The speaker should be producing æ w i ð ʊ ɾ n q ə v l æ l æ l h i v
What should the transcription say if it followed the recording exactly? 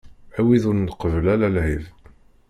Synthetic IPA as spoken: æ w i ð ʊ ɾ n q ə v l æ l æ l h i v